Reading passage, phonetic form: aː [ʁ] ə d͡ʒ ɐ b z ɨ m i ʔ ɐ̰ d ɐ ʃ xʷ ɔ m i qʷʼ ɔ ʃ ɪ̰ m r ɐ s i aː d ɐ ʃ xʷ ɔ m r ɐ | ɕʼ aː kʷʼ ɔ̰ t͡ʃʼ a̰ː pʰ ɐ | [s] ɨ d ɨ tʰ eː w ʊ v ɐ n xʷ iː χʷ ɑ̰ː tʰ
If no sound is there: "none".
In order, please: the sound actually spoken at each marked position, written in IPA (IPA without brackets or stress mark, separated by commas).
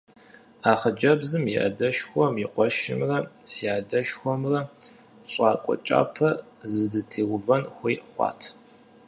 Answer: χ, z